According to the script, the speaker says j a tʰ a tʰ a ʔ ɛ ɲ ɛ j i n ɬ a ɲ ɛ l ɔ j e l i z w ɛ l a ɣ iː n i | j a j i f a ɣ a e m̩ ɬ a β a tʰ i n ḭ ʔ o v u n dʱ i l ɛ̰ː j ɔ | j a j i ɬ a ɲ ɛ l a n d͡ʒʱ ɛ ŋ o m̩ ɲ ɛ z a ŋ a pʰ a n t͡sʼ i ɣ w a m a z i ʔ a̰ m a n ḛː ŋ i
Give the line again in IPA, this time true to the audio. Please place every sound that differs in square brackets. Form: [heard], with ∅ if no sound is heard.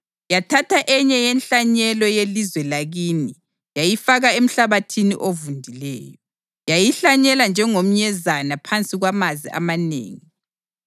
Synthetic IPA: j a tʰ a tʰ a ʔ ɛ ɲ ɛ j [ɛ] n ɬ a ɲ ɛ l ɔ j e l i z w ɛ l a ɣ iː n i | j a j i f a ɣ a e m̩ ɬ a β a tʰ i n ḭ ʔ o v u n dʱ i l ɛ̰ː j ɔ | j a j i ɬ a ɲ ɛ l a n d͡ʒʱ ɛ ŋ o m̩ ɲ ɛ z a [n] a pʰ a n t͡sʼ i ɣ w a m a z i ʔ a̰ m a n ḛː ŋ i